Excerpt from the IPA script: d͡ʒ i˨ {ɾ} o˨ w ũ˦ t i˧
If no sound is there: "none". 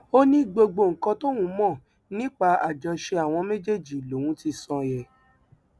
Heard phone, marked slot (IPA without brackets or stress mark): l